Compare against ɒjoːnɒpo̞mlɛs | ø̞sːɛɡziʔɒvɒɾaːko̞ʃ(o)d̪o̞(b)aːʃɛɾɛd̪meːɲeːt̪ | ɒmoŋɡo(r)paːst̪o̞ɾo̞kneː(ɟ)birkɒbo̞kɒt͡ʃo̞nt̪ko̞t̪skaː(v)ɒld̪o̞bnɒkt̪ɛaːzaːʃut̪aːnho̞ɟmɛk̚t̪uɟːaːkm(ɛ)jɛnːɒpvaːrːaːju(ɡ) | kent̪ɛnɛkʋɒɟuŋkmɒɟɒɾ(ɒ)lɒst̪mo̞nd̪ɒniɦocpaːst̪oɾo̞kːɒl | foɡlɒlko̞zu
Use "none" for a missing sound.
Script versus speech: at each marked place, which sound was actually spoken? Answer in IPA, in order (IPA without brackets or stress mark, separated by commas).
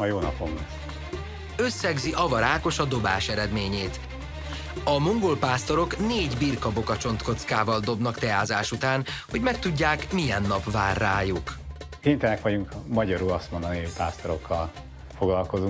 ɒ, b, l, ɟ, v, i, k, u